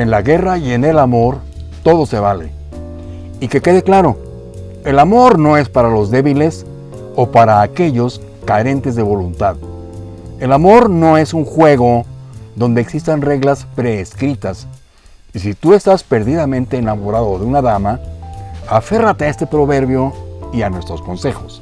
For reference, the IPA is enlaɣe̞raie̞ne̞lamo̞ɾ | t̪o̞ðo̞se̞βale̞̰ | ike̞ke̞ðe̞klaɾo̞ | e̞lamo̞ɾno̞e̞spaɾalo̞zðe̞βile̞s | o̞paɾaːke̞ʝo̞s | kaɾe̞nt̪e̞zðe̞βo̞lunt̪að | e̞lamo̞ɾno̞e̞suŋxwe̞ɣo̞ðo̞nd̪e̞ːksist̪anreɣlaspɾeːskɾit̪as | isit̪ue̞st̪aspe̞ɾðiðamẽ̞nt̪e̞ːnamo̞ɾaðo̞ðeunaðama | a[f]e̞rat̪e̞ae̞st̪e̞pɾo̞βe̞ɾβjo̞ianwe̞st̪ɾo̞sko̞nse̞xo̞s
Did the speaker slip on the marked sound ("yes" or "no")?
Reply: no